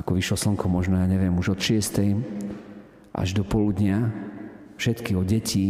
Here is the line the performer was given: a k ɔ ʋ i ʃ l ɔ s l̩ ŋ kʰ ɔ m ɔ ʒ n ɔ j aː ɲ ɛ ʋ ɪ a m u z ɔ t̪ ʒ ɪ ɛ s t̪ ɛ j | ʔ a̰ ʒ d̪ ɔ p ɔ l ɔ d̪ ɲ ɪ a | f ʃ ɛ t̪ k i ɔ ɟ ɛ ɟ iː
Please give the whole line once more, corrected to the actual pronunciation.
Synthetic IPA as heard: a k ɔ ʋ i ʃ l ɔ s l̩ ŋ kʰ ɔ m ɔ ʒ n ɔ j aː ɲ ɛ ʋ ɪ ɛ m u ʒ ɔ t̪ ʃ ɪ ɛ s t̪ ɛ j | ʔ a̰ ʒ d̪ ɔ p ɔ l u d̪ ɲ ɪ a | f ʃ ɛ t̪ k i ɔ ɟ ɛ c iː